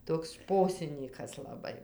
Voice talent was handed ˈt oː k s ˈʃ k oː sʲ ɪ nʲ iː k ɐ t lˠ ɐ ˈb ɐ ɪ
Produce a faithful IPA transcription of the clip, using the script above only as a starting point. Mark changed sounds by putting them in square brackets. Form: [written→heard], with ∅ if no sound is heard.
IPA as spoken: ˈt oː k s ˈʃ [k→p] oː sʲ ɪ nʲ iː k ɐ [t→s] lˠ ɐ ˈb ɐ ɪ